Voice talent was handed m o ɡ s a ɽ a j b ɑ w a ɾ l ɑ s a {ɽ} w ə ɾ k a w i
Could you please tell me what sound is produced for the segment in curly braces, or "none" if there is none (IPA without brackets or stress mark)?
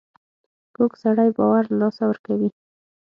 none